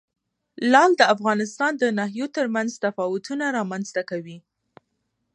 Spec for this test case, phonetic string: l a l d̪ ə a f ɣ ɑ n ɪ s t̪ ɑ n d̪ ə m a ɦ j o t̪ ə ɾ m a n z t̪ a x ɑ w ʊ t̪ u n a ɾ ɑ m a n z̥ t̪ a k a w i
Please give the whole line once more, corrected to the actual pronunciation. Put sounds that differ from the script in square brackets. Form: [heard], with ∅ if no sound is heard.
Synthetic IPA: l [ɑ] l d̪ ə a f ɣ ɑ n ɪ s t̪ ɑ n d̪ ə [n] a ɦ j o t̪ ə ɾ m a n z t̪ a [f] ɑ w ʊ t̪ u n a ɾ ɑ m a n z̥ t̪ a k a w i